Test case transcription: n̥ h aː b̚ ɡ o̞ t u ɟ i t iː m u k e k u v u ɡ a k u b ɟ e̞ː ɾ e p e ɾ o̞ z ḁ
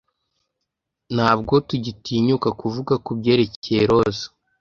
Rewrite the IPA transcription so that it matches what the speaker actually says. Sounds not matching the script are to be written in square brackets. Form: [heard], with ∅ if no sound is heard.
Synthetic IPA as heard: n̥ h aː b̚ ɡ o̞ t u ɟ i t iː [ɲ] u k [a] k u v u ɡ a k u b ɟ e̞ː ɾ e [c] e ɾ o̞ z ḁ